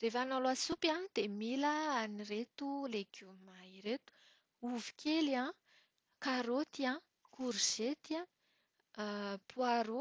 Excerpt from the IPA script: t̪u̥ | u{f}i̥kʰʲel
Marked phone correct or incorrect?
incorrect